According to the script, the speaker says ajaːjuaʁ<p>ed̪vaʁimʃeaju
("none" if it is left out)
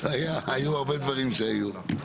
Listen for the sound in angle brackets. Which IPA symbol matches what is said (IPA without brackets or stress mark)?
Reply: b